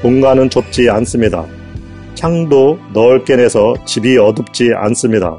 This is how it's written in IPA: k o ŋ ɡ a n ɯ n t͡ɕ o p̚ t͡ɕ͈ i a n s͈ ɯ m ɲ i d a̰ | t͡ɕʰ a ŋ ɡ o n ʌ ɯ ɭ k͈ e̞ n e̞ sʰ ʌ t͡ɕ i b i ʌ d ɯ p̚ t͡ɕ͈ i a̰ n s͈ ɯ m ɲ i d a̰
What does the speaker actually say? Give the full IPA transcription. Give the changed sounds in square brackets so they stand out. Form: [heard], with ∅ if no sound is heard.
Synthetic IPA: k o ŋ ɡ a n ɯ n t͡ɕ o p̚ t͡ɕ͈ i a n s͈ ɯ m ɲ i d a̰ | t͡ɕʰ a ŋ [d] o n ʌ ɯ ɭ k͈ e̞ n e̞ sʰ ʌ t͡ɕ i b i ʌ d ɯ p̚ t͡ɕ͈ i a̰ n s͈ ɯ m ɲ i d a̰